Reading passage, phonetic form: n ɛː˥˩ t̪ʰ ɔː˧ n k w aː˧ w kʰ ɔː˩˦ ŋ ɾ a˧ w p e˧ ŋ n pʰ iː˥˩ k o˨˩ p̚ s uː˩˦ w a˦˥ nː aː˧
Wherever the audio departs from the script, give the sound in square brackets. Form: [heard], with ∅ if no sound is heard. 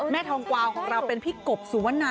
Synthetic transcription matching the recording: [m] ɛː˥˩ t̪ʰ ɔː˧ [ŋ] k w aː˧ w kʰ ɔː˩˦ ŋ ɾ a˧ w p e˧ [∅] n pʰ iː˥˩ k o˨˩ p̚ s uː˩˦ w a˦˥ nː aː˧